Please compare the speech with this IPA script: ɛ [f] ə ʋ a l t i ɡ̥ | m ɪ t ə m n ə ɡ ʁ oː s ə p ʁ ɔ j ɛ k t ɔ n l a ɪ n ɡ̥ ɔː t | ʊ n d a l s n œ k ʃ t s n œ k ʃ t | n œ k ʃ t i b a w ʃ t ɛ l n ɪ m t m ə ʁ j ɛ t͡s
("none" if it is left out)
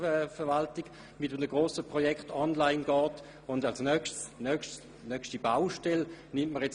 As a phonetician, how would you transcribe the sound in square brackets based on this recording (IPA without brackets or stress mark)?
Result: f